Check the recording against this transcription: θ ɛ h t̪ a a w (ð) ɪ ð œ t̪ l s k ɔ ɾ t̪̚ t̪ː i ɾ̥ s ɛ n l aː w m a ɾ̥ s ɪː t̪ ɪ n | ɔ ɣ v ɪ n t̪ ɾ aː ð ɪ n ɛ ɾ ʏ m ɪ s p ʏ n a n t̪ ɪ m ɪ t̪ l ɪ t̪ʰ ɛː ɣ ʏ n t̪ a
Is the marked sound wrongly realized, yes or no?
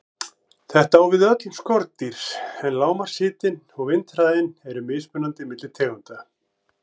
yes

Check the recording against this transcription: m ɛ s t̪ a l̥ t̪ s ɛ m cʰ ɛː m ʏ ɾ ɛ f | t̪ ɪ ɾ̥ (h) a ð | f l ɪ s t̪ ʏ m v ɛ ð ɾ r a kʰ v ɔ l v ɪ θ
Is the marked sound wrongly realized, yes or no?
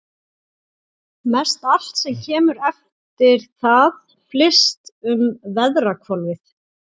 yes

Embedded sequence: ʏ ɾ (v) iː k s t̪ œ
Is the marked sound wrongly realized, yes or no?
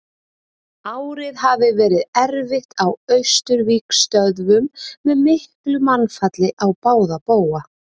no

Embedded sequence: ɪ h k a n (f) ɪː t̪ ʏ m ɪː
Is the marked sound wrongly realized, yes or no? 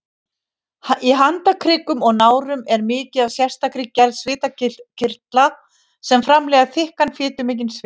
no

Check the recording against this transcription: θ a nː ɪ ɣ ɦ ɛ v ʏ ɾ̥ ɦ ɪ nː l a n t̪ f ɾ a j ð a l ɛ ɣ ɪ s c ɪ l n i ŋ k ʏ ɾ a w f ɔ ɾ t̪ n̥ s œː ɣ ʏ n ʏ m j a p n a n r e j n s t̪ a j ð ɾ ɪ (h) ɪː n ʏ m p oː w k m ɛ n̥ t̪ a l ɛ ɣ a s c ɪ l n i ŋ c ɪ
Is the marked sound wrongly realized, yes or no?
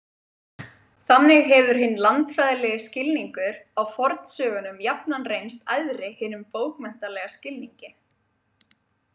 no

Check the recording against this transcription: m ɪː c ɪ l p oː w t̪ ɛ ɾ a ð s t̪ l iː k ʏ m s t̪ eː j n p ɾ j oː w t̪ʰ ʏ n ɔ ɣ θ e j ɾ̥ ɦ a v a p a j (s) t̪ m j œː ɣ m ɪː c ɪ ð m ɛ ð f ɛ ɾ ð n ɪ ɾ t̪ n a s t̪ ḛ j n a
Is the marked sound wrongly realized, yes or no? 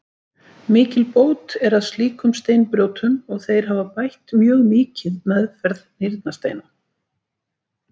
yes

